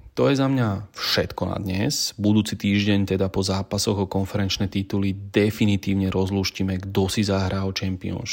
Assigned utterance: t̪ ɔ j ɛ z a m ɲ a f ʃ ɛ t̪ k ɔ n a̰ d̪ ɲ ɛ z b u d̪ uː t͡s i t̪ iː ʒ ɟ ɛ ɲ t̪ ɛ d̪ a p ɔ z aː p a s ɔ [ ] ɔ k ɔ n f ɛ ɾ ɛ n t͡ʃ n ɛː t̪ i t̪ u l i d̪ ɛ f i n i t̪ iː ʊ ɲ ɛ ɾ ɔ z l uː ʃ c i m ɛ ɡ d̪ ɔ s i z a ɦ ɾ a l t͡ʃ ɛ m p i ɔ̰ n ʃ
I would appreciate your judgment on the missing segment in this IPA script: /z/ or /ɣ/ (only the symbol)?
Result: ɣ